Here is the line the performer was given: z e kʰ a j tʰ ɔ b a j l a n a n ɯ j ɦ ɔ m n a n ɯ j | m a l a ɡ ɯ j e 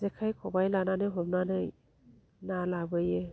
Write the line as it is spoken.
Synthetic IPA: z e kʰ a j kʰ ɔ b a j l a n a n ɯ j ɦ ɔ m n a n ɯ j | n a l a b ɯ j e